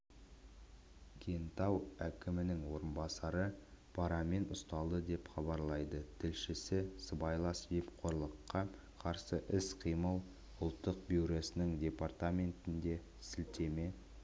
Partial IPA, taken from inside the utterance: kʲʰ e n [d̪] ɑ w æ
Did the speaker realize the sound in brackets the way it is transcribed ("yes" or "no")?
no